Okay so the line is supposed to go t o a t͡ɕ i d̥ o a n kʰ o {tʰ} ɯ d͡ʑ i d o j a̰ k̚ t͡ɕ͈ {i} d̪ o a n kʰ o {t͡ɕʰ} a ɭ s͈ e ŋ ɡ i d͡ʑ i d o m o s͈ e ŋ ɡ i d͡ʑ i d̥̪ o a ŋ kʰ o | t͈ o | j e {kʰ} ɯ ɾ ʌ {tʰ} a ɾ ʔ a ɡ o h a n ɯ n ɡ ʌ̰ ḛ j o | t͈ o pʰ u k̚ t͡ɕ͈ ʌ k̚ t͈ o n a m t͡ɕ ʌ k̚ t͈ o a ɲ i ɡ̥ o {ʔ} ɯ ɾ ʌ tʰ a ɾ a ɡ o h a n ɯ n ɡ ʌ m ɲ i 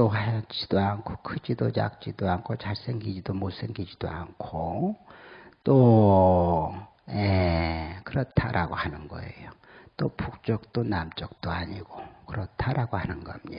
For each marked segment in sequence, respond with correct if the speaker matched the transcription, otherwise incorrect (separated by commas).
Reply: incorrect, correct, incorrect, incorrect, correct, incorrect